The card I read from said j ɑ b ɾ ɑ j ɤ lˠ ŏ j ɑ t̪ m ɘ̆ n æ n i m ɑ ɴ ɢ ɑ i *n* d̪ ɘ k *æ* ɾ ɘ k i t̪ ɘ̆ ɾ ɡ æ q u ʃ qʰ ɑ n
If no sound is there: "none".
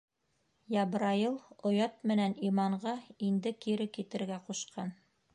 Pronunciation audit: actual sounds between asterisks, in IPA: n, i

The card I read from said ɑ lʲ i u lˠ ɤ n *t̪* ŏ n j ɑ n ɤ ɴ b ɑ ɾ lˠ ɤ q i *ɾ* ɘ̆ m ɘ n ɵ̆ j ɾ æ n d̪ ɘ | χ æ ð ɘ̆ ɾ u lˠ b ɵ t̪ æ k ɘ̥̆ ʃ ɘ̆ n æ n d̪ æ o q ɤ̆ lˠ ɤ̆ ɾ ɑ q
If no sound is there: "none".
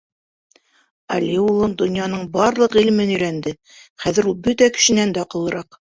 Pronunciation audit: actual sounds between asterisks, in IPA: d̪, l

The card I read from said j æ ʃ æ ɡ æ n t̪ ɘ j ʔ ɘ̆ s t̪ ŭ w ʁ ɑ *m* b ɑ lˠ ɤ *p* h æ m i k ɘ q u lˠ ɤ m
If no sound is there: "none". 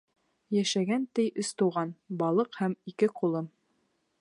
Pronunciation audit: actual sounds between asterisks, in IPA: n, q

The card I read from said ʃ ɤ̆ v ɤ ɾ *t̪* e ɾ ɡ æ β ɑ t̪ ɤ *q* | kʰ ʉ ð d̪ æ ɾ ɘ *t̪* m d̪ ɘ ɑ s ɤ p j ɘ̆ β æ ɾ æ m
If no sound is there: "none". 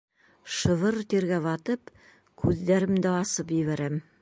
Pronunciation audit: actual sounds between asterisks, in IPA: t̪, p, none

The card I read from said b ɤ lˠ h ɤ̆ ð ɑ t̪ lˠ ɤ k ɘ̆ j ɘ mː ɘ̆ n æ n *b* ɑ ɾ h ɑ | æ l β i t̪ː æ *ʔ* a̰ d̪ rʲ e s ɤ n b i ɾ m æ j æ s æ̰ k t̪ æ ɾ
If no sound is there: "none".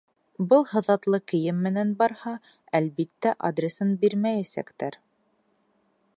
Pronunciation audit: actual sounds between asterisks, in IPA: b, ʔ

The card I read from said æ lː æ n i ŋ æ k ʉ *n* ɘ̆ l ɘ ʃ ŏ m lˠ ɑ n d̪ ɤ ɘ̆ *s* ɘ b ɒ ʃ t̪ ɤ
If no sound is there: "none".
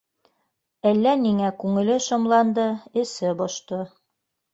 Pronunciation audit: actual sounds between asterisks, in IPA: ŋ, s

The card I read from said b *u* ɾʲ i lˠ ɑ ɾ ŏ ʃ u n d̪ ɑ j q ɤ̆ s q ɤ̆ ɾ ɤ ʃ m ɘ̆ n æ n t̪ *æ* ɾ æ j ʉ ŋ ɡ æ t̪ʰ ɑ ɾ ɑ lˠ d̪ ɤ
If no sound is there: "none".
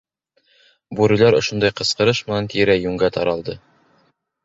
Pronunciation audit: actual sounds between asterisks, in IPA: u, i

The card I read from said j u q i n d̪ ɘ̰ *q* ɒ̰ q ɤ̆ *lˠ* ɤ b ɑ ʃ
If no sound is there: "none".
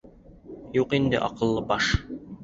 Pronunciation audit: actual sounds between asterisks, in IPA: ʔ, lˠː

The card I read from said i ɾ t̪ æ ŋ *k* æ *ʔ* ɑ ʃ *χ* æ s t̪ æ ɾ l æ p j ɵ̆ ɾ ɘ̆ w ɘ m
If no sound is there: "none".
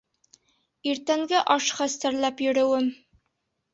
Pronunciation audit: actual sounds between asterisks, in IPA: ɡ, ʔ, χ

